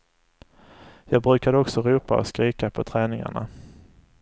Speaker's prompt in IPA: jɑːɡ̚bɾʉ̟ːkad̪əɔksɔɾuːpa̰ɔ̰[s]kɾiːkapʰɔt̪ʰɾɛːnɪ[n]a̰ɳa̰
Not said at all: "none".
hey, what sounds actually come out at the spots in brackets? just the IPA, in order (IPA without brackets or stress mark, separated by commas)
s, ŋ